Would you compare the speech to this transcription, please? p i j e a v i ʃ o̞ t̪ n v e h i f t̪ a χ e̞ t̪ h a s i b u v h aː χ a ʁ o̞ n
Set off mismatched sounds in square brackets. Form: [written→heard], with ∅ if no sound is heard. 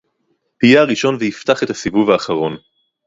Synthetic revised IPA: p i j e a [v→ʁ] i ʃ o̞ [t̪→∅] n v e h i f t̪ a χ e̞ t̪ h a s i [b→v] u v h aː χ a ʁ o̞ n